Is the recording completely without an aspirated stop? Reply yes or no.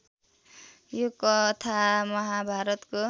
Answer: no